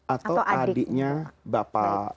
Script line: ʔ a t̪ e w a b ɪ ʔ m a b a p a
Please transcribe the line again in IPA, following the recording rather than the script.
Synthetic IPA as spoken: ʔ a t̪ a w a d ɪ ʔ ɲ a b a p a